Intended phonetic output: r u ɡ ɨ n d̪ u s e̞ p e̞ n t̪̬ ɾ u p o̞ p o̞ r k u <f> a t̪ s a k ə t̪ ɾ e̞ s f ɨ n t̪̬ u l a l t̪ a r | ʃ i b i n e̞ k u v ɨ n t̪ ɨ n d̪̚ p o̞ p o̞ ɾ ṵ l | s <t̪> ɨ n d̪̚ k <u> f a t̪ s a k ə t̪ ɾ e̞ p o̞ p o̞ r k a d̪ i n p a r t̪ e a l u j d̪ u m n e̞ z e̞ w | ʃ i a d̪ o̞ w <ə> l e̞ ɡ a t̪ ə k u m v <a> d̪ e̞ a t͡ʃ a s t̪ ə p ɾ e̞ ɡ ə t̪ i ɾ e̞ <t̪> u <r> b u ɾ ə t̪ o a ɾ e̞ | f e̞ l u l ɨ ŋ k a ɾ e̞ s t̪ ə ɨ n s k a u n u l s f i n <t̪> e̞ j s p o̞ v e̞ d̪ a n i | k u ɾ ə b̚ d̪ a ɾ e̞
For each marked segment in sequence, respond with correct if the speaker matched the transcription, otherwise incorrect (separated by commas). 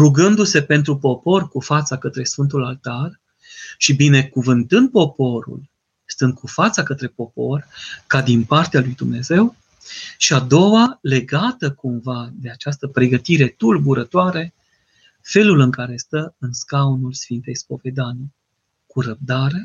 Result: correct, correct, correct, incorrect, correct, correct, incorrect, correct